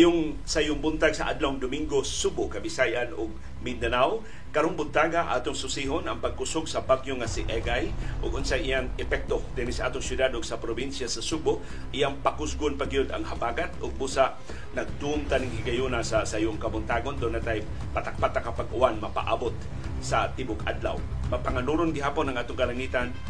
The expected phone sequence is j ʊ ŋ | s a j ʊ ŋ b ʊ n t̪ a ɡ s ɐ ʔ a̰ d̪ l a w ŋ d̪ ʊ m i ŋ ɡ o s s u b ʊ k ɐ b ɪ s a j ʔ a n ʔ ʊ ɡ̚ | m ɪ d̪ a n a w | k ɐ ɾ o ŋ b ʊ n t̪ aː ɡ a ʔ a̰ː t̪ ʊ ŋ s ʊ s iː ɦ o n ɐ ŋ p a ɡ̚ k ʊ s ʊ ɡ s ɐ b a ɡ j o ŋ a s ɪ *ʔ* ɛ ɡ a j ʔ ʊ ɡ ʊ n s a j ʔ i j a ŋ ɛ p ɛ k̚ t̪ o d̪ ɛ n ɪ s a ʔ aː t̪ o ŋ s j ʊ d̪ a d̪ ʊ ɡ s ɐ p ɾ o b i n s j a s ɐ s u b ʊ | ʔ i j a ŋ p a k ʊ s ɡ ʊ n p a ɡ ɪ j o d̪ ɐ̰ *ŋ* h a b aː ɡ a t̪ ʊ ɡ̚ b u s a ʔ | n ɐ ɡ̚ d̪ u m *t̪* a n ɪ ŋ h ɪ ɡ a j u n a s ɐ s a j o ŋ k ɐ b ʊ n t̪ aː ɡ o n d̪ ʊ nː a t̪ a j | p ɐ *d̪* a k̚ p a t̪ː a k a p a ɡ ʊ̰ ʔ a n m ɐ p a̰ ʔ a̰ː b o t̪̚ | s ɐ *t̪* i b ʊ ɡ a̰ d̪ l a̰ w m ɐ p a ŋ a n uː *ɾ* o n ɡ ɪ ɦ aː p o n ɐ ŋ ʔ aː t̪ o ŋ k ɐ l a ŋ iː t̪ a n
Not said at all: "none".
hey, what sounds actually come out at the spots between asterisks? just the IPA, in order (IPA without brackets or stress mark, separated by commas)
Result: ʔ, ŋ, t̪, t̪, t̪, ɾ